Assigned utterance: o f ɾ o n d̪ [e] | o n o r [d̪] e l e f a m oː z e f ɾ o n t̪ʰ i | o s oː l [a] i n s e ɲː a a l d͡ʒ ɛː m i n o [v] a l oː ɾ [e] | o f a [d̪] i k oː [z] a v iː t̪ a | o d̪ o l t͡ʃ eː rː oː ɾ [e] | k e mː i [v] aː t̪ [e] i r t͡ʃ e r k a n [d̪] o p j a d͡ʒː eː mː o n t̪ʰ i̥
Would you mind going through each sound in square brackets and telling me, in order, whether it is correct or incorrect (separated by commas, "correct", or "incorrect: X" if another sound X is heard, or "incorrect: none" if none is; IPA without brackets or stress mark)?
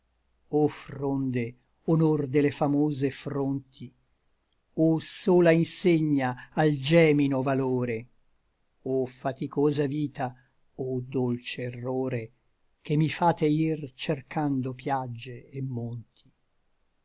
correct, correct, correct, correct, correct, incorrect: t̪, correct, correct, incorrect: f, correct, correct